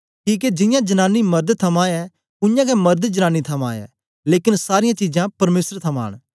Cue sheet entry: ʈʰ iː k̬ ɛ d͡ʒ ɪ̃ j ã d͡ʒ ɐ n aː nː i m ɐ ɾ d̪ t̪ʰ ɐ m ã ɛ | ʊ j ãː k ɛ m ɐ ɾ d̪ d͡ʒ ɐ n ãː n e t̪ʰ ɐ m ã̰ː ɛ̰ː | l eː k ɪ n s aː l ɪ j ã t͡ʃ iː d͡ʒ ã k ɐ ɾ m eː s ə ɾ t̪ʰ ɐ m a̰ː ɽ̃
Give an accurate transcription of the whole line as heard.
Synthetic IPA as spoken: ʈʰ iː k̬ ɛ d͡ʒ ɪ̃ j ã d͡ʒ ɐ n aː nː i m ɐ ɾ d̪ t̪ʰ ɐ m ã ɛ | ʊ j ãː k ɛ m ɐ ɾ d̪ d͡ʒ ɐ n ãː n i t̪ʰ ɐ m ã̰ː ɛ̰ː | l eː k ɪ n s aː ɾ ɪ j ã t͡ʃ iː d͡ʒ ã p ɐ ɾ m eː s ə ɾ t̪ʰ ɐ m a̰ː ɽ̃